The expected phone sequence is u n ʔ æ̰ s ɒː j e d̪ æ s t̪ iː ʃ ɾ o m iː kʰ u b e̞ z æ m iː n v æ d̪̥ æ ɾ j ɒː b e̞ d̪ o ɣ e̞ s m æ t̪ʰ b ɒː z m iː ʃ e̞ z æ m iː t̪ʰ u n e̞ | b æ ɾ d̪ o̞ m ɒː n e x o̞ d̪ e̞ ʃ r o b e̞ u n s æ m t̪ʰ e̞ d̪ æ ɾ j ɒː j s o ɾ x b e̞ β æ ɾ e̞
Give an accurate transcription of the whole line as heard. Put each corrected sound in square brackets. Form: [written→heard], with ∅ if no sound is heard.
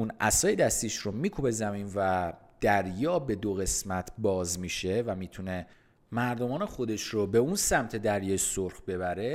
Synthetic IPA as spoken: u n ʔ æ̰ s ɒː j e d̪ æ s t̪ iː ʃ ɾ o m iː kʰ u b e̞ z æ m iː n v æ d̪̥ æ ɾ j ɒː b e̞ d̪ o ɣ e̞ s m æ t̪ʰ b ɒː z m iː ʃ e̞ [z→v] æ m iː t̪ʰ u n e̞ | [b→m] æ ɾ d̪ o̞ m ɒː n e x o̞ d̪ e̞ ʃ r o b e̞ u n s æ m t̪ʰ e̞ d̪ æ ɾ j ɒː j s o ɾ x b e̞ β æ ɾ e̞